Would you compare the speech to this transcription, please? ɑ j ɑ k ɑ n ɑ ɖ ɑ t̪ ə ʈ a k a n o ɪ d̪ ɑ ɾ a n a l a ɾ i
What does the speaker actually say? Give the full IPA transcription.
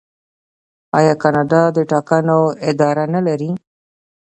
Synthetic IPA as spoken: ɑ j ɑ k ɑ n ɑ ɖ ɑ d̪ ə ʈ ɑ k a n o ɪ d̪ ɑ ɾ a n a l a ɾ i